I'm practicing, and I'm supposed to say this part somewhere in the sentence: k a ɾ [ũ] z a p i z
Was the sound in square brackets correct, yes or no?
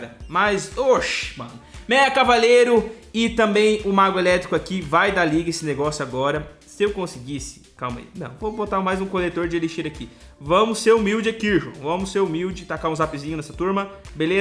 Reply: yes